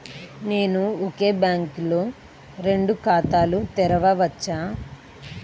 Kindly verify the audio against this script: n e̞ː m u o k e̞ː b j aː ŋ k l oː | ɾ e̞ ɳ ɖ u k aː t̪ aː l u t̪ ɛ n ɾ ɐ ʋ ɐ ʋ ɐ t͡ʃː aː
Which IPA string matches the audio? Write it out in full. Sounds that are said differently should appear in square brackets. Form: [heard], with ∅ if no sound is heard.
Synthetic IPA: n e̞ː [n] u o k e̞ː b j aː ŋ k l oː | ɾ e̞ ɳ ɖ u k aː t̪ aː l u t̪ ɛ [∅] ɾ ɐ ʋ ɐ ʋ ɐ t͡ʃː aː

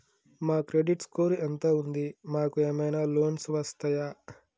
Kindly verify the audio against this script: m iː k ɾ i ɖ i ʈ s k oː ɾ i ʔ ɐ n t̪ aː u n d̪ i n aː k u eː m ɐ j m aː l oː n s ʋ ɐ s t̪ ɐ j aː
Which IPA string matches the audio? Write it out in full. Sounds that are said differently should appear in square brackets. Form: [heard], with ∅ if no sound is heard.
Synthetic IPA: m [aː] k ɾ [e] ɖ i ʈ s k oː ɾ i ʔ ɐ n t̪ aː u n d̪ i [m] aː k u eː m ɐ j [n] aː l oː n s ʋ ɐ s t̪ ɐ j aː

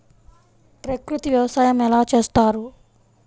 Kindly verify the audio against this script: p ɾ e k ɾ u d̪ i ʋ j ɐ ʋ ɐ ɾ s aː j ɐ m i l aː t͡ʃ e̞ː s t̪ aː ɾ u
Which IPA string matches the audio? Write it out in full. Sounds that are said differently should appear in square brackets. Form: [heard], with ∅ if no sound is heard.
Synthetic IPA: p ɾ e k ɾ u [t̪] i ʋ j ɐ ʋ ɐ [∅] s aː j ɐ m [ɛ] l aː t͡ʃ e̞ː s t̪ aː ɾ u

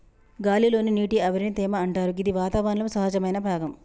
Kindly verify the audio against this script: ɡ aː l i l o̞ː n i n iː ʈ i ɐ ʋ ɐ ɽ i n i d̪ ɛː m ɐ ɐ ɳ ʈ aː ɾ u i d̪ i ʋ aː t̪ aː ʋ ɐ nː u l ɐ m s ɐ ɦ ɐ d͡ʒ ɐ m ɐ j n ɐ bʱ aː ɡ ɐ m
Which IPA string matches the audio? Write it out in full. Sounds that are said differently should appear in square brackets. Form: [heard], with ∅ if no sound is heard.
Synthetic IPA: ɡ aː l i l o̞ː n i n iː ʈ i ɐ ʋ ɐ [ɾ] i n i [t̪] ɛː m ɐ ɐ ɳ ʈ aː ɾ u i d̪ i ʋ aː t̪ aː ʋ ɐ [n] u l ɐ m s ɐ ɦ ɐ d͡ʒ ɐ m ɐ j n ɐ bʱ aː ɡ ɐ m

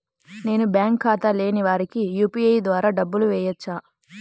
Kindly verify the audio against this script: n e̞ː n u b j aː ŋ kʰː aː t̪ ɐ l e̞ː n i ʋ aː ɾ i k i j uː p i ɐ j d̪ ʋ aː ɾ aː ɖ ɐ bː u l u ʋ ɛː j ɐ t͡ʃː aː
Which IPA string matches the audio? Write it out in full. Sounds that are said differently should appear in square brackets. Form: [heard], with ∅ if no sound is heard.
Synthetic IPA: n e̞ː n u b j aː ŋ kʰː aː t̪ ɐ l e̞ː n i ʋ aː ɾ i k i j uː p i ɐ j d̪ ʋ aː ɾ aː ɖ ɐ bː u l u ʋ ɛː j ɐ t͡ʃː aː

